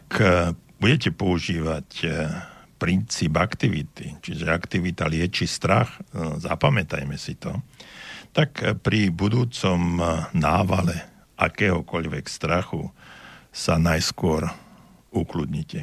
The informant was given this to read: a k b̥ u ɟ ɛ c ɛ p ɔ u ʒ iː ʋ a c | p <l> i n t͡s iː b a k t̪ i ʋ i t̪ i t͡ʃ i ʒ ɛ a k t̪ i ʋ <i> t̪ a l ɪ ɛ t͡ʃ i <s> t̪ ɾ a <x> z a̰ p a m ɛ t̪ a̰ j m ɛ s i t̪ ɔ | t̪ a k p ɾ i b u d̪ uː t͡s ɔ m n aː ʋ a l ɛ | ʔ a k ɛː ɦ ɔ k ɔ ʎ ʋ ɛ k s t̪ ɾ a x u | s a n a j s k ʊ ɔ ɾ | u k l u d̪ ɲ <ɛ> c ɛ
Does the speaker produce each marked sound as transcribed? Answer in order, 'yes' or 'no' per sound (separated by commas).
no, yes, yes, yes, no